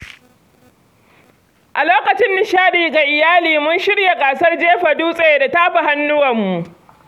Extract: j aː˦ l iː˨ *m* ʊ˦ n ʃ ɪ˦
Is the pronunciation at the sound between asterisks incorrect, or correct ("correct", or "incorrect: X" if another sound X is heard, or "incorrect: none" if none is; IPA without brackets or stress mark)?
correct